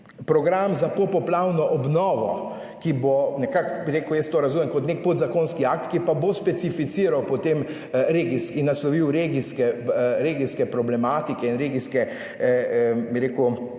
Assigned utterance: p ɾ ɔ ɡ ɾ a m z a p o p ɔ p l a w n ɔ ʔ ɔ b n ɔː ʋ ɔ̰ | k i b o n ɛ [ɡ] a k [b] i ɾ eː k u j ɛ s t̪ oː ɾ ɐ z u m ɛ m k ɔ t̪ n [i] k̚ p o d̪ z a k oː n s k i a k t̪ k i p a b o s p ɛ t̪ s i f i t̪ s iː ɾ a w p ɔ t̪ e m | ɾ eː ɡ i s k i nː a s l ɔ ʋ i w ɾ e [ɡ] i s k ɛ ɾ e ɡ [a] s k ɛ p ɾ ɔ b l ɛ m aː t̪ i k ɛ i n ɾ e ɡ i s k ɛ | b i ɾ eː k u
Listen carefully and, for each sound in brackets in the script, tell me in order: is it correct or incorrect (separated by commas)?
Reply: incorrect, correct, incorrect, correct, incorrect